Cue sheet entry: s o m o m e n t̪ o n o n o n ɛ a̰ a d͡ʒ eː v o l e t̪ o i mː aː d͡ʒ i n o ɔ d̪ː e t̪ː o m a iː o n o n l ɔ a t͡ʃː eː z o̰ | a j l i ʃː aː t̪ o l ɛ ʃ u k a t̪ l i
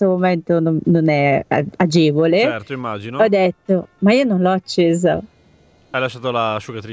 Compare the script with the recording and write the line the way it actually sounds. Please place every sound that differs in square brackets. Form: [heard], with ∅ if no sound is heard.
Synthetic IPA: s o m o m e n t̪ o n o n o n ɛ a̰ a d͡ʒ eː v o l e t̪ o i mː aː d͡ʒ i n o ɔ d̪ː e t̪ː o m a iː o n o n l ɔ a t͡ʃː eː z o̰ | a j l [a] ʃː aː t̪ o l [a] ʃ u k a t̪ [ɾ] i